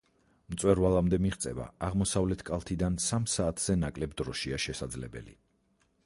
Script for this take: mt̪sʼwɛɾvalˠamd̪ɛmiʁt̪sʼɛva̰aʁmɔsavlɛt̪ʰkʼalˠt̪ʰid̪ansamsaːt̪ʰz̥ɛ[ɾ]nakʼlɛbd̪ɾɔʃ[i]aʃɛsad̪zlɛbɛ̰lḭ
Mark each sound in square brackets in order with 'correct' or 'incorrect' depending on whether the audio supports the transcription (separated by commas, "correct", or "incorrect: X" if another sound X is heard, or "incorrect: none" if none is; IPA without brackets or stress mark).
incorrect: none, correct